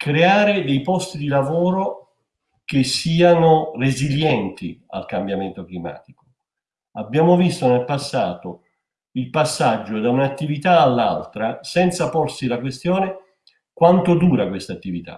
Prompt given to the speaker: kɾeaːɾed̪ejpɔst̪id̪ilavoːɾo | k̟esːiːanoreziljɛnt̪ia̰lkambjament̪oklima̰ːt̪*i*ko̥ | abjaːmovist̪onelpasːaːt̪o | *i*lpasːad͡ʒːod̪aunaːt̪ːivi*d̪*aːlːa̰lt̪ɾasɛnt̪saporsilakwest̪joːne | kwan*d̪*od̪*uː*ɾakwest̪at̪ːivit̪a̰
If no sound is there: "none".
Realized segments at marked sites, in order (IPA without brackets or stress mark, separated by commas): i, i, t̪, t̪, uː